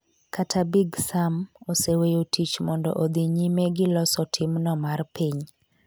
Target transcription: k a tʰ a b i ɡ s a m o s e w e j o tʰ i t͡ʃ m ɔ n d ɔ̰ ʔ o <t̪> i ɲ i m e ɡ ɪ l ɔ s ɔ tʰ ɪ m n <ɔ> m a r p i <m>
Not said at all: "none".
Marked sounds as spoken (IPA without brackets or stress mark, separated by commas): d̪, ɔ, ɲ